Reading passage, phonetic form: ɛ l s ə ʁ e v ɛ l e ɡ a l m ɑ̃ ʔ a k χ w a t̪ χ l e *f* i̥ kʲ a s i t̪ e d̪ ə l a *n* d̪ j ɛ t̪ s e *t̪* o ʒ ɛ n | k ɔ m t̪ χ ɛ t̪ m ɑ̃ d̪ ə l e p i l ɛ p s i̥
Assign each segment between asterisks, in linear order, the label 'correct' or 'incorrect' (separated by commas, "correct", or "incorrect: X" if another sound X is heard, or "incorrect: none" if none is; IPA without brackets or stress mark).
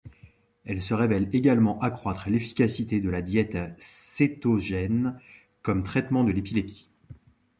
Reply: correct, incorrect: none, correct